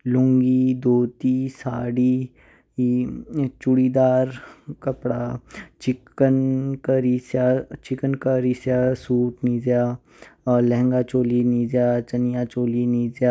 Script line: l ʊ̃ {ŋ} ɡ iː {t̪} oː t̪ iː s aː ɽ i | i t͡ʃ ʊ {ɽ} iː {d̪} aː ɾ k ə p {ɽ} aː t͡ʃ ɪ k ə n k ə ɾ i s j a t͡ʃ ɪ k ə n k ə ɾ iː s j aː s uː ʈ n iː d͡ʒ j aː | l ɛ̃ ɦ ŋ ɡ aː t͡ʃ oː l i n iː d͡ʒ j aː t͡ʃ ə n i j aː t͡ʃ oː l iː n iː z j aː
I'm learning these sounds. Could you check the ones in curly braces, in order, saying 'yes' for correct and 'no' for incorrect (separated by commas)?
yes, no, yes, yes, yes